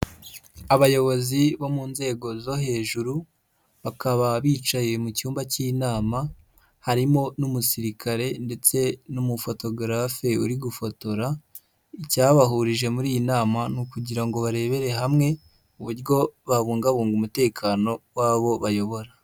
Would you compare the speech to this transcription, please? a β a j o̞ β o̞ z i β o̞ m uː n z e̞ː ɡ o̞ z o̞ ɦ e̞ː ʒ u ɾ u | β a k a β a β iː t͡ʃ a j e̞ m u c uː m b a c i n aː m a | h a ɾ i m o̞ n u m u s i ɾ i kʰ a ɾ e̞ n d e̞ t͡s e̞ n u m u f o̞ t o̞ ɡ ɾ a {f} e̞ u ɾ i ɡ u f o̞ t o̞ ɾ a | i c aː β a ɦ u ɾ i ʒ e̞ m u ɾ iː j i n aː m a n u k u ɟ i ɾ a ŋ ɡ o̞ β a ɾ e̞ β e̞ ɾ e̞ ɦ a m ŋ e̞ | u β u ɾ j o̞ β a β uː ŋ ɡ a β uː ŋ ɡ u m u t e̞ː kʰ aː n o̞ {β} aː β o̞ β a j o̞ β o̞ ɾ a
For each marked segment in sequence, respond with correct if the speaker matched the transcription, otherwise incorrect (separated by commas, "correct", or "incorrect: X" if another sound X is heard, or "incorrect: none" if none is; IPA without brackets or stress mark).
correct, incorrect: w